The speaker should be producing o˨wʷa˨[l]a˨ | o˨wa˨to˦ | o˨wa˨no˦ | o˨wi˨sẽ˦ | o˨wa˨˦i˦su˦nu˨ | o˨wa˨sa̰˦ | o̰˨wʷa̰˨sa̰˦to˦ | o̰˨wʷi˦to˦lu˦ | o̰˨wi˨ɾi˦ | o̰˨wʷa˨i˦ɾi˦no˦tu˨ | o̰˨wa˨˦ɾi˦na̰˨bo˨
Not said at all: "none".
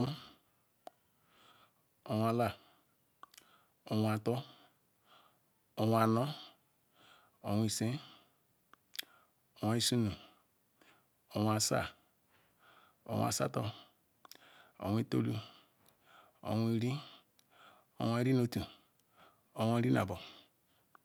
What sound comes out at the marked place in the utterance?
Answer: l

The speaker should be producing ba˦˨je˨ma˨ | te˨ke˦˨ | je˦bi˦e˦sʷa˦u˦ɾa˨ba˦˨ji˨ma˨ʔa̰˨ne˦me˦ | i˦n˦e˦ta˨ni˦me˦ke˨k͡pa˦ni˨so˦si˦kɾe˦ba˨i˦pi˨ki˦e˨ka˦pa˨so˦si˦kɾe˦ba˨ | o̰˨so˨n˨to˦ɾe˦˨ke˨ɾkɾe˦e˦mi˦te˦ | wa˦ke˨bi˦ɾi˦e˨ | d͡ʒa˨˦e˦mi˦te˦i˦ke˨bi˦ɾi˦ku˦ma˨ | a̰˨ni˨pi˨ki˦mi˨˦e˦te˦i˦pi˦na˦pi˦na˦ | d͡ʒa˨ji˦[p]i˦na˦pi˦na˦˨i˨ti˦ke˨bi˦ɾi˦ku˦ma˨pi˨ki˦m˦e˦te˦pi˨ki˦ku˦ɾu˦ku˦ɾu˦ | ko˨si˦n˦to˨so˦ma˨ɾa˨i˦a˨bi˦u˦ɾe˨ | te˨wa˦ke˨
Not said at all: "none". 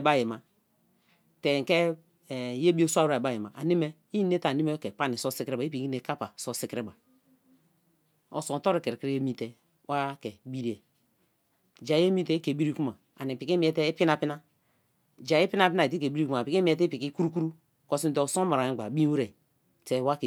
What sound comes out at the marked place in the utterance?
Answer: p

